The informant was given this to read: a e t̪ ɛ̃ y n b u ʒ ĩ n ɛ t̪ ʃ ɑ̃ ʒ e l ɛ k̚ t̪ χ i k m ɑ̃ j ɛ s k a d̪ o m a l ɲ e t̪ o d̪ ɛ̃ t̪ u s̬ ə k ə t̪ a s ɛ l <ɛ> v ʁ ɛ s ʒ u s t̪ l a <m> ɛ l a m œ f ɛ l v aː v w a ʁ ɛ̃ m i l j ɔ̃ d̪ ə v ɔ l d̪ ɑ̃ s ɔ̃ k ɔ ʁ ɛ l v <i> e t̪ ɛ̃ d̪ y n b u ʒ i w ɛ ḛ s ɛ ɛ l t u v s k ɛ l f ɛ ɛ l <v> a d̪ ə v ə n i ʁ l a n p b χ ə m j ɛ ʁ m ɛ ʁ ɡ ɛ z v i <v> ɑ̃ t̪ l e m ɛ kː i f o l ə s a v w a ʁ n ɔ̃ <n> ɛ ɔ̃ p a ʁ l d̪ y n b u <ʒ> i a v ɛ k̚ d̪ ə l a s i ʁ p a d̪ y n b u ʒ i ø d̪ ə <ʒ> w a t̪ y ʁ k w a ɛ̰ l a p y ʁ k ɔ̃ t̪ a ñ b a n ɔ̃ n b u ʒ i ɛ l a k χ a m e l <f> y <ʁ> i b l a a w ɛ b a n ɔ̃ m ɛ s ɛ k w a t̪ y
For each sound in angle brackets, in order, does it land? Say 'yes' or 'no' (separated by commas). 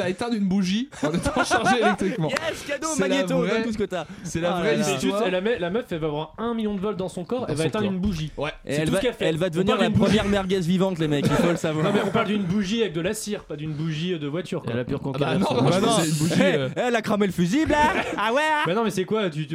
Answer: no, yes, no, yes, yes, no, yes, no, yes, no